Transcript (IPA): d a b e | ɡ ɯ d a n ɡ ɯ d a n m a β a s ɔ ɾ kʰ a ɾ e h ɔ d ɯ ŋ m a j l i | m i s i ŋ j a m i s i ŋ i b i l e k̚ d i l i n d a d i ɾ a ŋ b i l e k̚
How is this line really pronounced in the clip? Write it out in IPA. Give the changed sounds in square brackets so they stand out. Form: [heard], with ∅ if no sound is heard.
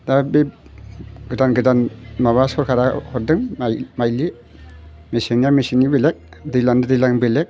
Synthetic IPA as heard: d a b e | ɡ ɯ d a n ɡ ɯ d a n m a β a s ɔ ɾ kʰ a ɾ [a] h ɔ d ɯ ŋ m a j l i | m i s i ŋ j a m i s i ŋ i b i l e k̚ d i l [a] n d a d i [l] a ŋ b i l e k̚